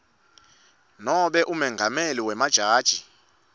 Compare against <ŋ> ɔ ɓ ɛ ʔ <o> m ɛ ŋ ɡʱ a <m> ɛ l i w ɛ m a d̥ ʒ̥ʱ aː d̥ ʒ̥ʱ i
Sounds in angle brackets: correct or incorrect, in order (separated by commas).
incorrect, incorrect, correct